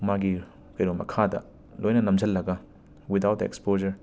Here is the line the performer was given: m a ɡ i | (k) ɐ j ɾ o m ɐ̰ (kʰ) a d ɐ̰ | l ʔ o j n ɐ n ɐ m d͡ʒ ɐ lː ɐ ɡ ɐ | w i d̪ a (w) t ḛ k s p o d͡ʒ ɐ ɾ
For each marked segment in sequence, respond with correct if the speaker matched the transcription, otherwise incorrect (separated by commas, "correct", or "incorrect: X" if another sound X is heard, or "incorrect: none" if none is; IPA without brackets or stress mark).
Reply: correct, correct, correct